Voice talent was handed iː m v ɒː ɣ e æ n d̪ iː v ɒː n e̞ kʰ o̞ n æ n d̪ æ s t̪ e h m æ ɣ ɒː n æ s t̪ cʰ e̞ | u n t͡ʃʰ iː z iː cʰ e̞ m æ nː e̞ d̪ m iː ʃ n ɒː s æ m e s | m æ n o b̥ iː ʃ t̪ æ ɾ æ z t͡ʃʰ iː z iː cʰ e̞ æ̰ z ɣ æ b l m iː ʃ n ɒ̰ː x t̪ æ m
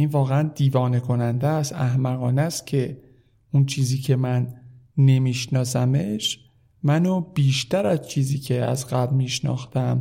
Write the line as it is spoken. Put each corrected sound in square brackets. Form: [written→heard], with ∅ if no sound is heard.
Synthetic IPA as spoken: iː [m→n] v ɒː ɣ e æ n d̪ iː v ɒː n e̞ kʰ o̞ n æ n d̪ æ s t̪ [e→æ] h m æ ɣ ɒː n æ s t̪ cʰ e̞ | u n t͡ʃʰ iː z iː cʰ e̞ m æ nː e̞ [d̪→∅] m iː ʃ n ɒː s æ m e [s→ʃ] | m æ n o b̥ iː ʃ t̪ æ ɾ æ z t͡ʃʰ iː z iː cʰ e̞ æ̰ z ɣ æ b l m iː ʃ n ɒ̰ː x t̪ æ m